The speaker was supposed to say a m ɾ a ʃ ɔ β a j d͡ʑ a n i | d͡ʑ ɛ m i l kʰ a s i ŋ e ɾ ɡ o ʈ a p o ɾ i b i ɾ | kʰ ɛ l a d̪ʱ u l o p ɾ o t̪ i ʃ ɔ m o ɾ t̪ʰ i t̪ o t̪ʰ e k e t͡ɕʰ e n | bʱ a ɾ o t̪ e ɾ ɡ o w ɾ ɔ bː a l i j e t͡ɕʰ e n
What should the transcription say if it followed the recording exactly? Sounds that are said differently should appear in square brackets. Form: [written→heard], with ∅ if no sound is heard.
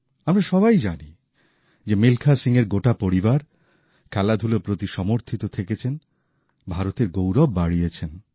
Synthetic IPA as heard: a m ɾ a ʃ ɔ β a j d͡ʑ a n i | d͡ʑ [ɛ→e] m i l kʰ a s i ŋ e ɾ ɡ o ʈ a p o ɾ i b [i→a] ɾ | kʰ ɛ l a d̪ʱ u l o p ɾ o t̪ i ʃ ɔ m o ɾ t̪ʰ i t̪ o t̪ʰ e k e t͡ɕʰ e n | bʱ a ɾ o t̪ e ɾ ɡ o w ɾ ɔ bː a [l→ɽ] i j e t͡ɕʰ e n